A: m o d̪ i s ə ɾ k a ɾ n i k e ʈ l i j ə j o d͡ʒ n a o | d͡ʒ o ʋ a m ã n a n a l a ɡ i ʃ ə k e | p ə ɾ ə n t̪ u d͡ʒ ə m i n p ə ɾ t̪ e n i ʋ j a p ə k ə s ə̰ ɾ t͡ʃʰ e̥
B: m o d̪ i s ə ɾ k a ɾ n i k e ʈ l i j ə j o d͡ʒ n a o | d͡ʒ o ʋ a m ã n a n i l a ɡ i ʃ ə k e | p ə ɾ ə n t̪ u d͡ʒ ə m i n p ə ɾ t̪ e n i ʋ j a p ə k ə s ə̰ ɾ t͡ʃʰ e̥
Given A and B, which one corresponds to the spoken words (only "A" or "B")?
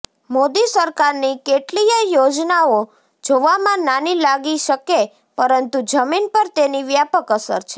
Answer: B